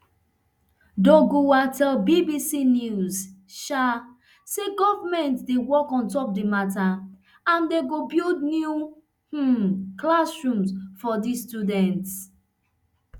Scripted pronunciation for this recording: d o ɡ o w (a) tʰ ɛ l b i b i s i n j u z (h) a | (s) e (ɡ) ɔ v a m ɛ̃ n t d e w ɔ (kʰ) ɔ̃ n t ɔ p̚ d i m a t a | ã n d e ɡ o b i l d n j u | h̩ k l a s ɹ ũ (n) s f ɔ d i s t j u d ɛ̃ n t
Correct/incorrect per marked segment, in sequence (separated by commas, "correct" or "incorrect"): correct, incorrect, correct, correct, incorrect, incorrect